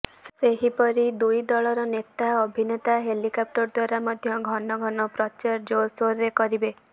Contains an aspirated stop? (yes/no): no